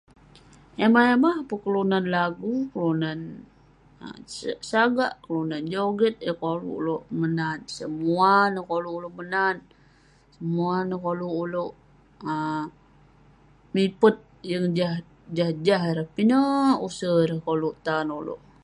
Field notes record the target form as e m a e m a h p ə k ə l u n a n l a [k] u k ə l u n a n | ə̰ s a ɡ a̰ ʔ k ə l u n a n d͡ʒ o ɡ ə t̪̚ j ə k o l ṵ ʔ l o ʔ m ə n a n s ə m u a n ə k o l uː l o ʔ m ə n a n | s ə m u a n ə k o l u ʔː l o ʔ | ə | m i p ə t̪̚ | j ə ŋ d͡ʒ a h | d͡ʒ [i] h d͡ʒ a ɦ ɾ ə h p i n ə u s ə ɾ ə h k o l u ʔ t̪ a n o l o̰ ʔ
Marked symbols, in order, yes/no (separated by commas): no, no